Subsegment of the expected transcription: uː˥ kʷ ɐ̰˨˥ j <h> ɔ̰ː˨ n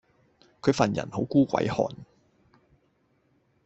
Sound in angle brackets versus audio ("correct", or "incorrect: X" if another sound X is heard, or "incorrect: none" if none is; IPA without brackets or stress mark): correct